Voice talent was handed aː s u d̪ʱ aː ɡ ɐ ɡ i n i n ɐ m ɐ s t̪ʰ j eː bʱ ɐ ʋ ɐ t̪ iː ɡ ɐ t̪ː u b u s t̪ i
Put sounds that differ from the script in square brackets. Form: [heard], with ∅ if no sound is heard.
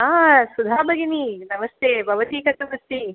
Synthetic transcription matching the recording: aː s u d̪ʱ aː [b] ɐ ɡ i n i n ɐ m ɐ s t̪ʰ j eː bʱ ɐ ʋ ɐ t̪ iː [k] ɐ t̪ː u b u s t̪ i